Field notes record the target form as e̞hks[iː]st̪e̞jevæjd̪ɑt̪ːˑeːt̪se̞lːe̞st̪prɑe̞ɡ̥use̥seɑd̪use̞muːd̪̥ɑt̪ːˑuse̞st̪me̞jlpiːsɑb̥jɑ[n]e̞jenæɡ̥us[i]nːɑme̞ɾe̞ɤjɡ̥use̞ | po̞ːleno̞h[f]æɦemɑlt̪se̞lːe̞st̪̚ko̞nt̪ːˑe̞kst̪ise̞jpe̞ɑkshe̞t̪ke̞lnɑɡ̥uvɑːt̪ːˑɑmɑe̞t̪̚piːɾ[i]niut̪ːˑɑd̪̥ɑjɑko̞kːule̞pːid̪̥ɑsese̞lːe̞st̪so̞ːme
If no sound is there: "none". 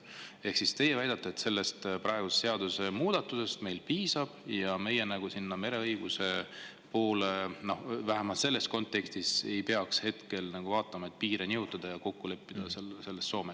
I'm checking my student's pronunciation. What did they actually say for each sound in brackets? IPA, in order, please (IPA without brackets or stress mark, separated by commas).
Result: i, m, i, v, e